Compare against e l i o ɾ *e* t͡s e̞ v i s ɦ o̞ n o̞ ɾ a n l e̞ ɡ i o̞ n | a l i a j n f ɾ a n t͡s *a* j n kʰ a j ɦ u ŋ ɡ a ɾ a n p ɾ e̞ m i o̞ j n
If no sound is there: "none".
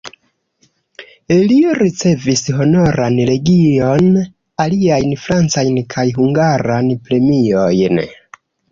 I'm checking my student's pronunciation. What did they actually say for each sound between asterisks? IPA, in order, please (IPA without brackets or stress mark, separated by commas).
i, a